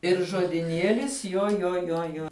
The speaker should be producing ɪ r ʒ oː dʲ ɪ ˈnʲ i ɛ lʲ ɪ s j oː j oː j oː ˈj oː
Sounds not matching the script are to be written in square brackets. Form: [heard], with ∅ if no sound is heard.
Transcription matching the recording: ɪ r ʒ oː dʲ ɪ ˈnʲ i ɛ lʲ ɪ s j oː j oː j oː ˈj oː